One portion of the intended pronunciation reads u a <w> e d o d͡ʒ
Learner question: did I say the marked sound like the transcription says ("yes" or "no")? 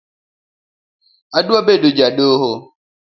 no